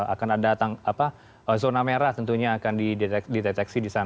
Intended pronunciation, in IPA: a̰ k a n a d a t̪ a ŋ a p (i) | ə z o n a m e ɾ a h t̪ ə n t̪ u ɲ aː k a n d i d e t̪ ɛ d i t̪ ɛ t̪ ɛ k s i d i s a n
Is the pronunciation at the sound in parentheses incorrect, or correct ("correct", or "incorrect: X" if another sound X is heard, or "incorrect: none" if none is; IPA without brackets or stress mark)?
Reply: incorrect: a